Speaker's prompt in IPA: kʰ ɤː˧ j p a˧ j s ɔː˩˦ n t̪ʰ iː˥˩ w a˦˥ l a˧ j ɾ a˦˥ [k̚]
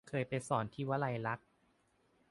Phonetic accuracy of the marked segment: correct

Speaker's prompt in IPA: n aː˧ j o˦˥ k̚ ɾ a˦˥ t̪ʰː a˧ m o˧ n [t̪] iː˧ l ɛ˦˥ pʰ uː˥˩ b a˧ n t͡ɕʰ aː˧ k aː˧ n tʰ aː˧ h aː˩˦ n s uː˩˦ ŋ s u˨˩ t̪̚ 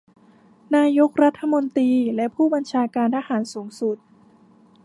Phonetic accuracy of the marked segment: correct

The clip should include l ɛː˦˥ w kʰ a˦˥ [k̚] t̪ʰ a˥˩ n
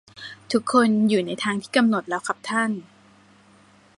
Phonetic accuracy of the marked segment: incorrect: p̚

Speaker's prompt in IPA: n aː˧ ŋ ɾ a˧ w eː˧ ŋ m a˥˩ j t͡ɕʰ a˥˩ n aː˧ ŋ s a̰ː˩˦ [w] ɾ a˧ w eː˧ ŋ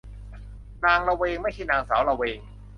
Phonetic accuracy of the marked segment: correct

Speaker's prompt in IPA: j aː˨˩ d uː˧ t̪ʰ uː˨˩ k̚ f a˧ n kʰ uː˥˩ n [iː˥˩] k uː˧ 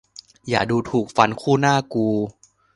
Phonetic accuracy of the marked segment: incorrect: aː˥˩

